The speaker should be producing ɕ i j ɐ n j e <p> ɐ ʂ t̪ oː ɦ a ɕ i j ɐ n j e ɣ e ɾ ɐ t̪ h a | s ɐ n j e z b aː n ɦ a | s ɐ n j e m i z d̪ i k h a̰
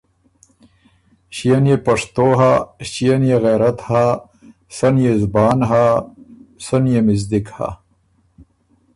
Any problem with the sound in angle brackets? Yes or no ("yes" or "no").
no